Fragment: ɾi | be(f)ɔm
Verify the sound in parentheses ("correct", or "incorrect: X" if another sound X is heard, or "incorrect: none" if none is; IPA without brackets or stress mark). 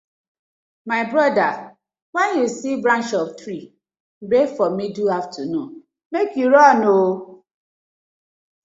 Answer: correct